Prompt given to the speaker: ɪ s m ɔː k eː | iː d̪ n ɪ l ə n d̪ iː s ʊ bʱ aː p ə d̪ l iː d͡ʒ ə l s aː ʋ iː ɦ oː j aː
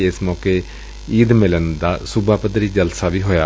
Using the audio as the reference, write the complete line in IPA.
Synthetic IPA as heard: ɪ s m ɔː k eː | iː d̪ m ɪ l ə n d̪ aː s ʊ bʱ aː p ə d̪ ɾ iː d͡ʒ ə l s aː ʋ iː ɦ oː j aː